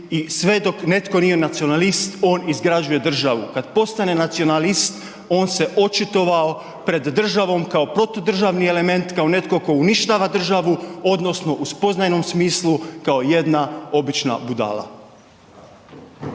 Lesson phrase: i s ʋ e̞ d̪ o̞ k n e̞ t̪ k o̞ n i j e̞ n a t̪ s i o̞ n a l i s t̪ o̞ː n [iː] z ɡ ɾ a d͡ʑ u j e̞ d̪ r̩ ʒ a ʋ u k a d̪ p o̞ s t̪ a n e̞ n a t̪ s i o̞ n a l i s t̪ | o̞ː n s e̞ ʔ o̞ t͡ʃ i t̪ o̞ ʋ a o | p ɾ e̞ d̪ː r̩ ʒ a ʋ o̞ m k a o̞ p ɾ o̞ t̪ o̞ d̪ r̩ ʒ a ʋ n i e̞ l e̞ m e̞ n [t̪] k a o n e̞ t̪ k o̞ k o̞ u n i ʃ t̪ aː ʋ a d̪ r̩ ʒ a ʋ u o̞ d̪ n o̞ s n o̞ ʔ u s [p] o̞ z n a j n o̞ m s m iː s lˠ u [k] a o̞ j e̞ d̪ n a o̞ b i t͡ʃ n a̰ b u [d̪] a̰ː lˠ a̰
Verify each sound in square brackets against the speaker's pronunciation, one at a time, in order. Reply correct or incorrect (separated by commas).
incorrect, correct, correct, correct, correct